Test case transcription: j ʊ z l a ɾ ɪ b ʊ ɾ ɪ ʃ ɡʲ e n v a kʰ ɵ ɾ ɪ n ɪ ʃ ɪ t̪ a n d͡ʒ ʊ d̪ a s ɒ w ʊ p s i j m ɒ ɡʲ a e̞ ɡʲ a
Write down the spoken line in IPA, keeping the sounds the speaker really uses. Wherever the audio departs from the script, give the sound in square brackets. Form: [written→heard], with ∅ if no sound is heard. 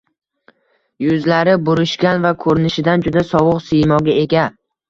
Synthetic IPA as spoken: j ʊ z l a ɾ ɪ b ʊ ɾ ɪ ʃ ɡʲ [e→a] n v a kʰ ɵ ɾ ɪ n ɪ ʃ ɪ [t̪→d̪] a n d͡ʒ ʊ d̪ a s ɒ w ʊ [p→q] s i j m ɒ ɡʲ a e̞ ɡʲ a